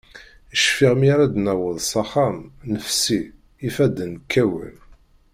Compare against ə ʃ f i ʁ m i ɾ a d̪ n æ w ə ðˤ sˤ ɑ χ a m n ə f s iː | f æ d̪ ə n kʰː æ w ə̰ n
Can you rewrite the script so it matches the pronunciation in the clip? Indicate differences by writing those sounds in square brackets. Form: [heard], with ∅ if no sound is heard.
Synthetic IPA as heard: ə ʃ f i ʁ m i ɾ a d̪ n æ w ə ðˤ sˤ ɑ χ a m n ə f s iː | f æ d̪ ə n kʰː æ w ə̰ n

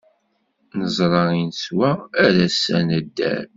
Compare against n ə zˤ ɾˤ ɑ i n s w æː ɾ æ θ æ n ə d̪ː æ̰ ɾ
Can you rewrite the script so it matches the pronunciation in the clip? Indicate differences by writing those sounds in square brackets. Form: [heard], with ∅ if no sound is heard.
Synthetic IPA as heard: n ə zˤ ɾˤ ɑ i n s w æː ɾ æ [s] æ n ə d̪ː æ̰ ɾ

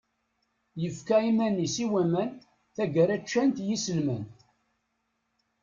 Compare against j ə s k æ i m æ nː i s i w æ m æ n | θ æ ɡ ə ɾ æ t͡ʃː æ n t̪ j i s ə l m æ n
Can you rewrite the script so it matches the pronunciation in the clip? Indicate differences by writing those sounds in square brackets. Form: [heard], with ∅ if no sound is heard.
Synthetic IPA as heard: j ə [f] k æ i m æ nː i s i w æ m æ n | θ æ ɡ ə ɾ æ t͡ʃː æ n t̪ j i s ə l m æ n

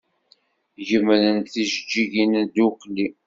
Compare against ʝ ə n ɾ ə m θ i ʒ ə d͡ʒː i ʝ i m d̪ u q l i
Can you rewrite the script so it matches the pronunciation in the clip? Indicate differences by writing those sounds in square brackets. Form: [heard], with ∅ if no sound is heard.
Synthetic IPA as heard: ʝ ə [m] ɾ ə [n] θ i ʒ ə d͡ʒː i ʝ i [n] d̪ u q l i

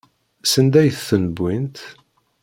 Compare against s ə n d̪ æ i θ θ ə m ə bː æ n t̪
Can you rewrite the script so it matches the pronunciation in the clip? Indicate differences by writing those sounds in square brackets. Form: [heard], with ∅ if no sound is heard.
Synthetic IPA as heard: s ə n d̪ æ [j] θ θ ə [n] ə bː [i] n t̪

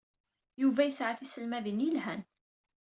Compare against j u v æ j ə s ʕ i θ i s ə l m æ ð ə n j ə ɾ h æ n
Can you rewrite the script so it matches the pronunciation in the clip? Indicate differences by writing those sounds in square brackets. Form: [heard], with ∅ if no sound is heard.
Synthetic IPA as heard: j u v æ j ə s ʕ [a] θ i s ə l m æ ð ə n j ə [l] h æ n

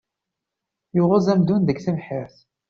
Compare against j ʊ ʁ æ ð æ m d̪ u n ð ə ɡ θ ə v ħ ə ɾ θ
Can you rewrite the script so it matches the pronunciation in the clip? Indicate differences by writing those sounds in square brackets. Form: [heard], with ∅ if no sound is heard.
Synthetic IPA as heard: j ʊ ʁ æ [z] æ m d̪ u n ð ə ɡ θ ə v ħ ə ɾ θ

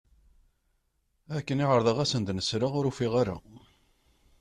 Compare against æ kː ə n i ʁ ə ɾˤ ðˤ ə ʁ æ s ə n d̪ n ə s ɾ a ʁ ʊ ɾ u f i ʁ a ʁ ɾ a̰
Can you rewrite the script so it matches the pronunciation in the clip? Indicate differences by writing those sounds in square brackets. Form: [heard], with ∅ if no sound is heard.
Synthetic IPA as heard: æ kː ə n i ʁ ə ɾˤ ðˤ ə ʁ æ s ə n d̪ n ə s ɾ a ʁ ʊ ɾ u f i ʁ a [∅] ɾ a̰

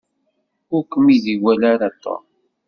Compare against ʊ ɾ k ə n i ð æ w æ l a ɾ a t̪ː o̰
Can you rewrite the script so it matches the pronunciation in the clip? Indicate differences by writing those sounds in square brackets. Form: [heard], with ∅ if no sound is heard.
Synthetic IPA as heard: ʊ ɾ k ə [m] i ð [i] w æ l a ɾ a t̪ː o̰

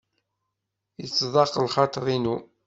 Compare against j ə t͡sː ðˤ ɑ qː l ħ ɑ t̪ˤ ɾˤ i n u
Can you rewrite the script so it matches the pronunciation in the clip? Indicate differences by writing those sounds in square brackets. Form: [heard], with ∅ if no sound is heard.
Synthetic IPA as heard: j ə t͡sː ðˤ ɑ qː l [χ] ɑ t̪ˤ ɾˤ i n u

